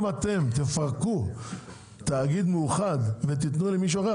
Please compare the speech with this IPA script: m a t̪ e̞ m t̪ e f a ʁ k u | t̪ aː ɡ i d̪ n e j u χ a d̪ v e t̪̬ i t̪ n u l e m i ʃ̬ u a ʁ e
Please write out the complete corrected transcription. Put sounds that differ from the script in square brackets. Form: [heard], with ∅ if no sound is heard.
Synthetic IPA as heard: m a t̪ e̞ m t̪ e f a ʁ k u | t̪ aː ɡ i d̪ [m] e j u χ a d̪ v e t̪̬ i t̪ n u l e m i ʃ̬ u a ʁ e